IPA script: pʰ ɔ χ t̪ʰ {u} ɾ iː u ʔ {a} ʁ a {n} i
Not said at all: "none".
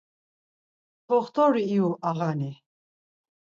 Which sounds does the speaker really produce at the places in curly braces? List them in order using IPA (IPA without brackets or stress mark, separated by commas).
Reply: ɔ, a, n